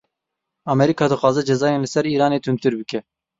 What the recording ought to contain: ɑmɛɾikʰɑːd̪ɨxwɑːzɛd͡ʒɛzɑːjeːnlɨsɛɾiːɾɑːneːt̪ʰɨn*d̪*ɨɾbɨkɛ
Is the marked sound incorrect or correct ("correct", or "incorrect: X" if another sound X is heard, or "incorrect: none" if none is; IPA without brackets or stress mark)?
incorrect: t̪